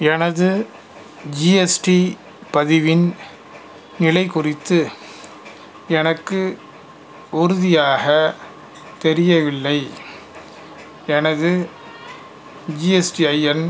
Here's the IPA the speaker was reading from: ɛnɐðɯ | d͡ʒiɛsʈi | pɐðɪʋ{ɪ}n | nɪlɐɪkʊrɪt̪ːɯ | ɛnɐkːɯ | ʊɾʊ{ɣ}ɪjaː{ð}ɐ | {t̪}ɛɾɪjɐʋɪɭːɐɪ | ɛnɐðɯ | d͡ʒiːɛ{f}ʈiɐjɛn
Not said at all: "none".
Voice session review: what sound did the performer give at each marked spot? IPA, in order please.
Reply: ɪ, ð, ɣ, t̪, s

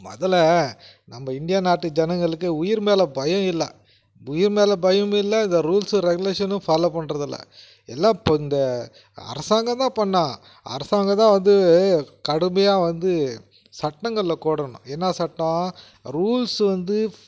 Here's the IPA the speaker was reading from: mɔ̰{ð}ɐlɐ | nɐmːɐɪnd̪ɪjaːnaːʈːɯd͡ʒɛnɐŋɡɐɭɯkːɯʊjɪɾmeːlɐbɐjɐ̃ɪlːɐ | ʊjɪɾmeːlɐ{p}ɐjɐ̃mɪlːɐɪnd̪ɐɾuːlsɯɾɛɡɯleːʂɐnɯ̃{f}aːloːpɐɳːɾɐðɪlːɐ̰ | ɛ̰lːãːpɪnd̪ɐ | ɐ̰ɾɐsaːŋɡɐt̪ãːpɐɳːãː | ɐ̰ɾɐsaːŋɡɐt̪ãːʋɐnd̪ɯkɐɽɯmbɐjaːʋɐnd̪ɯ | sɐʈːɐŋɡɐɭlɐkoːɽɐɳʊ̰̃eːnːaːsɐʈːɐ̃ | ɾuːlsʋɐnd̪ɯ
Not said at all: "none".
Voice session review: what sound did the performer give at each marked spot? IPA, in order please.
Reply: ð, b, f

